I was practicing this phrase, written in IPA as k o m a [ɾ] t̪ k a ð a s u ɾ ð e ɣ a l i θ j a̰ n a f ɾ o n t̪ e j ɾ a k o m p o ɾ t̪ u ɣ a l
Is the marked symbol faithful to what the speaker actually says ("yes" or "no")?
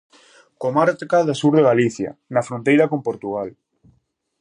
yes